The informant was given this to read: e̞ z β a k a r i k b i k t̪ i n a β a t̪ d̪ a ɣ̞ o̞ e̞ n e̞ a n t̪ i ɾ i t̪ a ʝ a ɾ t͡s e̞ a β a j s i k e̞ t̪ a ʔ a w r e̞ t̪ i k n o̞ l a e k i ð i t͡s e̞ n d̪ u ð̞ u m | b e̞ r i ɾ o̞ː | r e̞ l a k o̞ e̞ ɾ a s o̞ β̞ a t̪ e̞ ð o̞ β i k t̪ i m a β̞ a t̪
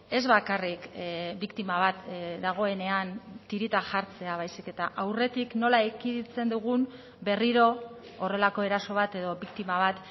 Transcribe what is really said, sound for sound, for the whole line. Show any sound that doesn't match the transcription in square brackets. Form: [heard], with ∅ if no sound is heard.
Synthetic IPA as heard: e̞ z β a k a r i k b i k t̪ i [m] a β a t̪ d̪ a ɣ̞ o̞ e̞ n e̞ a n t̪ i ɾ i t̪ a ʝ a ɾ t͡s e̞ a β a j s i k e̞ t̪ a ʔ a w r e̞ t̪ i k n o̞ l a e k i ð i t͡s e̞ n d̪ u [ɣ̞] u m | b e̞ r i ɾ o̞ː | r e̞ l a k o̞ e̞ ɾ a s o̞ β̞ a t̪ e̞ ð o̞ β i k t̪ i m a β̞ a t̪